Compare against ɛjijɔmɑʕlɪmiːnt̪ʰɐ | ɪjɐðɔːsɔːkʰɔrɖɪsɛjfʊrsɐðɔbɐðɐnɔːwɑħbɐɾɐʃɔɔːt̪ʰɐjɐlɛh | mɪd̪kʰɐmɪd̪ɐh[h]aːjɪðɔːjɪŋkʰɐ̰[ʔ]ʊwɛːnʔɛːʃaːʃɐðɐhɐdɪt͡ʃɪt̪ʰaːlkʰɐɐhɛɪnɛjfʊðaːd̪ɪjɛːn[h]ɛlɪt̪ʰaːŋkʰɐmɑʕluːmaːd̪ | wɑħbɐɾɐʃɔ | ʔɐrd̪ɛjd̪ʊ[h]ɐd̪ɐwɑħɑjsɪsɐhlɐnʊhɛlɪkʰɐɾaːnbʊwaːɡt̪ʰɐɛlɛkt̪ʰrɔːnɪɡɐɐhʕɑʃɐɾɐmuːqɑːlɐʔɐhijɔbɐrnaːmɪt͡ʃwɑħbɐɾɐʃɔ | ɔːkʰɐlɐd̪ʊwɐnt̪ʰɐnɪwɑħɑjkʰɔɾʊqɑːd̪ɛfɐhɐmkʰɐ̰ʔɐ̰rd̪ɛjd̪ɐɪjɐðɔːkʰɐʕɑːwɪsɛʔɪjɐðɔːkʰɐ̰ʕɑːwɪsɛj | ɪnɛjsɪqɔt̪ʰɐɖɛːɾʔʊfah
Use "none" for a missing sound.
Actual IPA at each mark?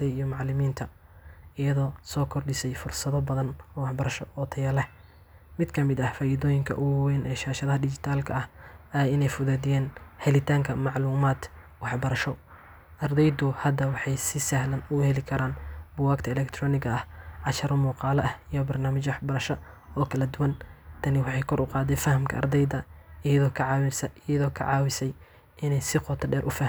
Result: f, ʔ, h, h

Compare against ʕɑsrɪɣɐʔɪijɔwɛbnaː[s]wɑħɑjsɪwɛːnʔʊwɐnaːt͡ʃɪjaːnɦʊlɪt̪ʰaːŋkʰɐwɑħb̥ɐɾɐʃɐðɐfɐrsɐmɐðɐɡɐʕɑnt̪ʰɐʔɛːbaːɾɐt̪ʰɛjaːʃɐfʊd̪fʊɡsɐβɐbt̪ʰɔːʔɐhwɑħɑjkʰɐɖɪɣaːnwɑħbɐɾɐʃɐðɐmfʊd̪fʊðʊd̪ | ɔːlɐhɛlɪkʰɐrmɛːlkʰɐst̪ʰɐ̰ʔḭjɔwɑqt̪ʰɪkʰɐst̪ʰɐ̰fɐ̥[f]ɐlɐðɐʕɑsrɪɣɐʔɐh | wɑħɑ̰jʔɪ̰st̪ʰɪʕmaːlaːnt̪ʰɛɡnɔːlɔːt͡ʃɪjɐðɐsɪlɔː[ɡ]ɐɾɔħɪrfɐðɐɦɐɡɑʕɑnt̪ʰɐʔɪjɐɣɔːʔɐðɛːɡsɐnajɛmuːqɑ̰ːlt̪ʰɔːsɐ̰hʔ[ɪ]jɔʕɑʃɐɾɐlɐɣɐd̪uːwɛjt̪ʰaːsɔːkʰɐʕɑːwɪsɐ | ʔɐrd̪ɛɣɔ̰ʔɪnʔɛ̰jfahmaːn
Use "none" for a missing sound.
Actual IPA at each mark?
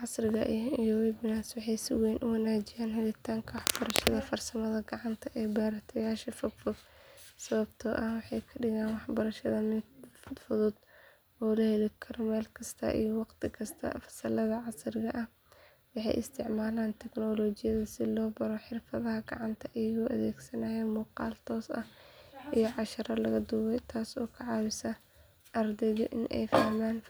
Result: s, s, b, i

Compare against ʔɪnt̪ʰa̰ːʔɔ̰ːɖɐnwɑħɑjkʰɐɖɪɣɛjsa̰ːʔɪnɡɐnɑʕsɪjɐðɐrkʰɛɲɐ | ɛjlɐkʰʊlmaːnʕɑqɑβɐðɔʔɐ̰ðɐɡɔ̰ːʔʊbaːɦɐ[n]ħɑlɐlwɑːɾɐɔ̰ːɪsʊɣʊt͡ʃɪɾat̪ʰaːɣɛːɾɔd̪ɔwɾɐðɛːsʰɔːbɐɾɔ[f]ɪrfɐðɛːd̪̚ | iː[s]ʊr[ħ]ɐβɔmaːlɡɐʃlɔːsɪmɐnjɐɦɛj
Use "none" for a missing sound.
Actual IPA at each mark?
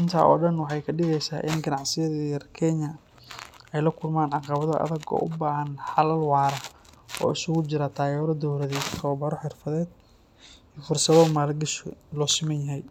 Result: n, ħ, f, s

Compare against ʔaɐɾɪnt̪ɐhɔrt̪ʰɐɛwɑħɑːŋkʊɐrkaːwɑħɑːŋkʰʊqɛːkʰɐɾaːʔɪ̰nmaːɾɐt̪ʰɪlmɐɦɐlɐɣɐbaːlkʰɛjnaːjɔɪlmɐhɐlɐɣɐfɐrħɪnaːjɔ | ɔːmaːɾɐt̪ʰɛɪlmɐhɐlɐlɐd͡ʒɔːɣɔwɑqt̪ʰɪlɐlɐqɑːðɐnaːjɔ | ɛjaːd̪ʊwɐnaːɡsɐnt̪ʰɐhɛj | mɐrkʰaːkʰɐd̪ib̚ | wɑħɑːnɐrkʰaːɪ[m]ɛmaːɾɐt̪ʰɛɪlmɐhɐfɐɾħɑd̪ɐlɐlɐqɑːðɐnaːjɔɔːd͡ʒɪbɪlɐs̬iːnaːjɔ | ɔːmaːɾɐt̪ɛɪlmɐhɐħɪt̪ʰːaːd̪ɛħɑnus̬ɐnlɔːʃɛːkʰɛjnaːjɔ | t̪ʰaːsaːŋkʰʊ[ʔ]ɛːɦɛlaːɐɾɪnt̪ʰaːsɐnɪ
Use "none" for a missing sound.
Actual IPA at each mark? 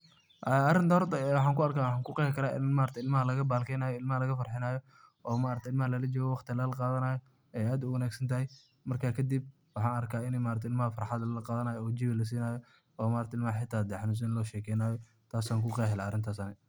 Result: n, q

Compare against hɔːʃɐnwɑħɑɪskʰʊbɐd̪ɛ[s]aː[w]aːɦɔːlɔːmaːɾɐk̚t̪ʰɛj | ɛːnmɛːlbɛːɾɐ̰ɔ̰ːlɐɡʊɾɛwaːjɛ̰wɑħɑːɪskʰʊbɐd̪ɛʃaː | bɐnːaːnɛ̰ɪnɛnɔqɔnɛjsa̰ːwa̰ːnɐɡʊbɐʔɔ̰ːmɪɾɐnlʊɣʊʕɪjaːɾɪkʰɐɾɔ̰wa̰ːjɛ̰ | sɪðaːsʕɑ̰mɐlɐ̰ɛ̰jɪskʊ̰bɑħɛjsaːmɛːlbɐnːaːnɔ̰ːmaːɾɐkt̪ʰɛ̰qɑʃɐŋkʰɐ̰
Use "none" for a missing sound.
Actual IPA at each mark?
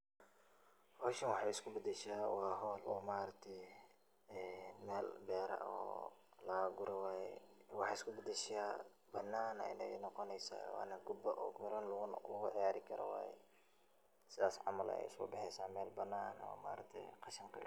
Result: ʃ, w

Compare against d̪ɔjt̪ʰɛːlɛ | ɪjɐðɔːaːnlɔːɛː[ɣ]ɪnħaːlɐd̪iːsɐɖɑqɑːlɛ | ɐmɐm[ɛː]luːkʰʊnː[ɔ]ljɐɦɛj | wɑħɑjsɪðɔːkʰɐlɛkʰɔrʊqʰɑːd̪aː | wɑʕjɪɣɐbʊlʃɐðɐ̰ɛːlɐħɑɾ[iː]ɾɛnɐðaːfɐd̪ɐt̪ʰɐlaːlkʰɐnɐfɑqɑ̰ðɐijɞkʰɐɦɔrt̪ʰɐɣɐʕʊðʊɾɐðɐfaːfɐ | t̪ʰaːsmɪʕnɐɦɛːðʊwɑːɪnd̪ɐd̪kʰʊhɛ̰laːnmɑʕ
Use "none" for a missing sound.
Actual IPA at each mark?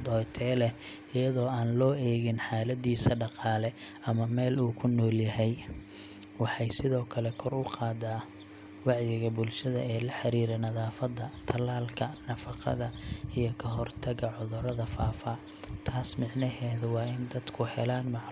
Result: ɣ, ɛː, ɔː, iː

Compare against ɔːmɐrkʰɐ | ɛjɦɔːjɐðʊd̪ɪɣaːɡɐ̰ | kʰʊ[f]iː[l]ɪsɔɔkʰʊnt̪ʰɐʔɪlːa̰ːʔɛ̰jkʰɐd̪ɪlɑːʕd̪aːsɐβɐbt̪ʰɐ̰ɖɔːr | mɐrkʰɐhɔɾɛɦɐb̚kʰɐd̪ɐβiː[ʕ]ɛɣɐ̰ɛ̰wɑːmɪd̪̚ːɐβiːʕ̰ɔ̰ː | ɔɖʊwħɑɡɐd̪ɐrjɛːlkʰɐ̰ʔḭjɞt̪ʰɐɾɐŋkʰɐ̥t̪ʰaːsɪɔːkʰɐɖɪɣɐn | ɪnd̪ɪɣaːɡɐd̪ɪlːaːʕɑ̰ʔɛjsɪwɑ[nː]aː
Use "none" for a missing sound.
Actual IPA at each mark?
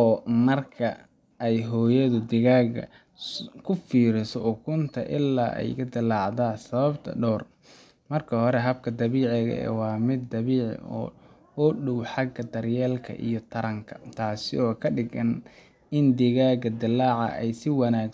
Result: f, ɾ, ʕ, n

